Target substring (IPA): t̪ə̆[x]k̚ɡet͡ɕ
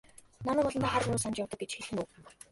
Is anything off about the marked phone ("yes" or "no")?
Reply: yes